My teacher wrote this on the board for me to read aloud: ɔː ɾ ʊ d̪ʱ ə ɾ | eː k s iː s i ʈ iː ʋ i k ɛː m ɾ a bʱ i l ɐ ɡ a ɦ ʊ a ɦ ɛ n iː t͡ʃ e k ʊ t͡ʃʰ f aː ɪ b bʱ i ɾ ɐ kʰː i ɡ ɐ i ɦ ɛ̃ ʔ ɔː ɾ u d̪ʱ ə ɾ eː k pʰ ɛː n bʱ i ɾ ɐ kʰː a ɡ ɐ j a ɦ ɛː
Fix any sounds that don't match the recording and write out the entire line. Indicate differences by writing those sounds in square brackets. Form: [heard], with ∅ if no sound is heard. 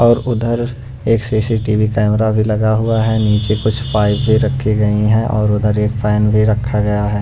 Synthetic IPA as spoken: ɔː ɾ ʊ d̪ʱ ə ɾ | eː k s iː s i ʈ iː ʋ i k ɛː m ɾ a bʱ i l ɐ ɡ a ɦ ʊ a ɦ ɛ n iː t͡ʃ e k ʊ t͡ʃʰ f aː ɪ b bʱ i ɾ ɐ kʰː i ɡ ɐ i ɦ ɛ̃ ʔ ɔː ɾ [ʊ] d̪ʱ ə ɾ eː k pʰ ɛː n bʱ i ɾ ɐ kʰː a ɡ ɐ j a ɦ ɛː